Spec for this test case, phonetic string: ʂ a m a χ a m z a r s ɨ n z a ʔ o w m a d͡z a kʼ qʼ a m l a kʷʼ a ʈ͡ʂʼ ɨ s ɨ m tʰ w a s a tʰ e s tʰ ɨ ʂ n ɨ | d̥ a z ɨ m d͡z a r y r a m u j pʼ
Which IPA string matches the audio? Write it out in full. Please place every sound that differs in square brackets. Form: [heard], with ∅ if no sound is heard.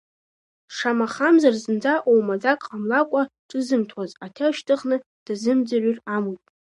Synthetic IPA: ʂ a m a χ a m z a r [z] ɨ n [d͡z] a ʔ o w m a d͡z a kʼ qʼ a m l a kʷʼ a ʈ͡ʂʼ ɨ [z] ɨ m tʰ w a [z] a tʰ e [ʃ] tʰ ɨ [χ] n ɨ | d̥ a z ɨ m d͡z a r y r a m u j pʼ